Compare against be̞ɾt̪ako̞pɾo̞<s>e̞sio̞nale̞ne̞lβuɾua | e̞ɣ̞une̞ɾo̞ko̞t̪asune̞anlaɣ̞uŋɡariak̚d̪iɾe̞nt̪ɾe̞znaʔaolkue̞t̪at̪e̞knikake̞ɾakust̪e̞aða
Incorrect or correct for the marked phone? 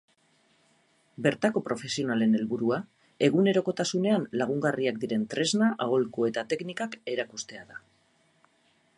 incorrect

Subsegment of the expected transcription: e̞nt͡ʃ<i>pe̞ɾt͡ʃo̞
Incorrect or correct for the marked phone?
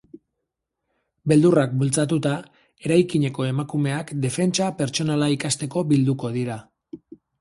incorrect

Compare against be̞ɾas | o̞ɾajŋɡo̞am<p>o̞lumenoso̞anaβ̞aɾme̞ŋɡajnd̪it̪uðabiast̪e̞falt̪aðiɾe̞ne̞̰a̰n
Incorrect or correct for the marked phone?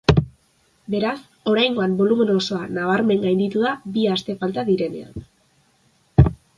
incorrect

